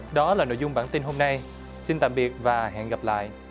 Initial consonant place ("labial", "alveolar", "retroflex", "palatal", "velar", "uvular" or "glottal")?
alveolar